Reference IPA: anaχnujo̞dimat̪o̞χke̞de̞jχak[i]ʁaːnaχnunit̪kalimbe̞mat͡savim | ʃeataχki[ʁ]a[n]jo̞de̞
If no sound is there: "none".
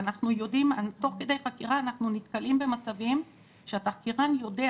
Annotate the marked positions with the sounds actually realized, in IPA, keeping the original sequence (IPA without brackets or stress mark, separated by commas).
i, ʁ, n